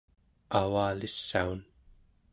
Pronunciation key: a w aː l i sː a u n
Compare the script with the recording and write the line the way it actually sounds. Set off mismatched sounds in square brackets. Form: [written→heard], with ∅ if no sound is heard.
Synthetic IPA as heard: a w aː l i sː a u n

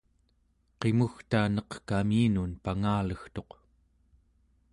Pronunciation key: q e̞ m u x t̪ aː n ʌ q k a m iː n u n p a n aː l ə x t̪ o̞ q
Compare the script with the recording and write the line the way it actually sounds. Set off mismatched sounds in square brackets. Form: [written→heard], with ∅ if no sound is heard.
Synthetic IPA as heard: q e̞ m u x t̪ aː n ʌ q k a m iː n u n p a [n→ŋ] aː l ə x t̪ o̞ q

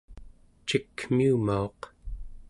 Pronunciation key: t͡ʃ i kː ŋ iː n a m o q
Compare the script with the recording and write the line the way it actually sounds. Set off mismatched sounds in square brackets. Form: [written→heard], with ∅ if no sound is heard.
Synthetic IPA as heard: t͡ʃ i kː [ŋ→m] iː [n→m] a [m→∅] o q

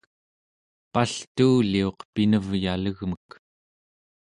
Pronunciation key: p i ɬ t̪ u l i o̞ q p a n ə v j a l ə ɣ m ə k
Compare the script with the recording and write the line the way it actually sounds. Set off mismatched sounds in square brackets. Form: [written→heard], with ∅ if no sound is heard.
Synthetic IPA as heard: p [i→a] ɬ t̪ [u→uː] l i o̞ q p [a→i] n ə v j a l ə ɣ m ə k

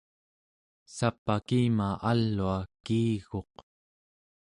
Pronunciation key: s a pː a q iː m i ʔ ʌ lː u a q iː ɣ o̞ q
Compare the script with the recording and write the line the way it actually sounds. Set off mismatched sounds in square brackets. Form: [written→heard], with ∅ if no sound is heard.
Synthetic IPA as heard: s a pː a [q→k] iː m [i→a] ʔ [ʌ→a] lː u a [q→k] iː ɣ o̞ q

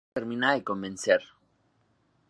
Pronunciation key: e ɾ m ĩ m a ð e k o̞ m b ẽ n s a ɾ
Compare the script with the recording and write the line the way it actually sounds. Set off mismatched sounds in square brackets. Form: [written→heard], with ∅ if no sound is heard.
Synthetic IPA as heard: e ɾ m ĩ [m→n] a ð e k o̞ m b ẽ n s [a→e] ɾ

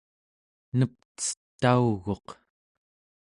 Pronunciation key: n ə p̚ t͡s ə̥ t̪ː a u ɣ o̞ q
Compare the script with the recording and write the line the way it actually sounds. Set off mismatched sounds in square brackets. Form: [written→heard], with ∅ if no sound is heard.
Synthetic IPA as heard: n ə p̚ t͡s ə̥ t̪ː a u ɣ o̞ q

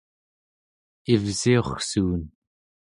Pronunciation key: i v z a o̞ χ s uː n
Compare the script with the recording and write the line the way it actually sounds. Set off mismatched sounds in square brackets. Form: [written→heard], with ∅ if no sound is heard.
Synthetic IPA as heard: i v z [a→i] o̞ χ s uː n

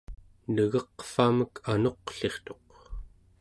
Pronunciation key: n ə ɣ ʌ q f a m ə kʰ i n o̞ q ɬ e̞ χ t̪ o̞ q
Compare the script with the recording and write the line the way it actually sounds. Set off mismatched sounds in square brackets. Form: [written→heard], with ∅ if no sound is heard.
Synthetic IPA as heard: n ə ɣ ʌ q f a m ə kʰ [i→a] n o̞ q ɬ e̞ χ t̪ o̞ q

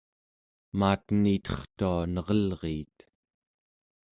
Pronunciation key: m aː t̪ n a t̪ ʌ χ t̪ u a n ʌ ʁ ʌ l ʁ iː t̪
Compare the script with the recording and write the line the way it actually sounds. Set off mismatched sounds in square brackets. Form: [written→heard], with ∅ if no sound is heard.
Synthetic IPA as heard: m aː t̪ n [a→i] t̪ ʌ χ t̪ u a n ʌ ʁ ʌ l ʁ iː t̪

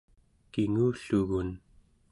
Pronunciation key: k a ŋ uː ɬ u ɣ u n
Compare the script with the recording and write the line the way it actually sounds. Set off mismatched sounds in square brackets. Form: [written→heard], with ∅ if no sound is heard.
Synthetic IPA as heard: k [a→i] ŋ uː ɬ u ɣ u n

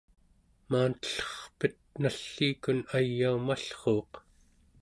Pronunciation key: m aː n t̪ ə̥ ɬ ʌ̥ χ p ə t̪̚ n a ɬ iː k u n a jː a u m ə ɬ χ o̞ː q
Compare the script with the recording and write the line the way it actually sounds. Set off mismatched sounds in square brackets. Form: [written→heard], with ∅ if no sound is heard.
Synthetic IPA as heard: m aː n t̪ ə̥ ɬ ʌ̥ χ p ə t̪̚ n a [ɬ→ɬː] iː k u n a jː a u m [ə→a] ɬ χ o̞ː q

